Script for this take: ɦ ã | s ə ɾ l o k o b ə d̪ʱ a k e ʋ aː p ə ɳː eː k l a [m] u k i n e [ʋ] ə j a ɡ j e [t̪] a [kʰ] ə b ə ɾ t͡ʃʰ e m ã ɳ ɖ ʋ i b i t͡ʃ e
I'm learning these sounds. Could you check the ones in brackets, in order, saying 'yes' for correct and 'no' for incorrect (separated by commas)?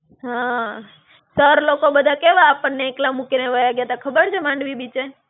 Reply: yes, yes, yes, yes